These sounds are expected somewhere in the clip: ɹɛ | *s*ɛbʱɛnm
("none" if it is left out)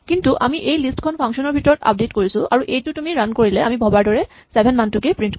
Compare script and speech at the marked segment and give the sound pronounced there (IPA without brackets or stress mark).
s